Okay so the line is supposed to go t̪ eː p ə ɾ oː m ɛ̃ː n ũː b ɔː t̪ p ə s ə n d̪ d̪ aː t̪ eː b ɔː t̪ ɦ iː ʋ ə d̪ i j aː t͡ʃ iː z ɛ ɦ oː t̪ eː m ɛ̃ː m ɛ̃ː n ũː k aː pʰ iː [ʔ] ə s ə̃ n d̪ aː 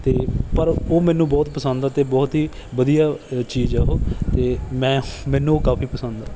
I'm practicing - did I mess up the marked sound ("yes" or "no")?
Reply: yes